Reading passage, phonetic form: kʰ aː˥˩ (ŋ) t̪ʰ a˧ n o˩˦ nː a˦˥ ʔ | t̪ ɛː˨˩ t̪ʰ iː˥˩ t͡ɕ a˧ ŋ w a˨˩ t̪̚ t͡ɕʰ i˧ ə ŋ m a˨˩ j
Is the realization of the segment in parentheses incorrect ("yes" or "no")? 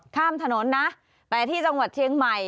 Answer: yes